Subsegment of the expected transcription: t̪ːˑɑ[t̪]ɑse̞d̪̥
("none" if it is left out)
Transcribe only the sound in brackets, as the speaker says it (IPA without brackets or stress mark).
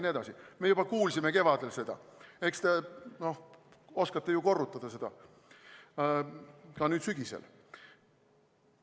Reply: d̪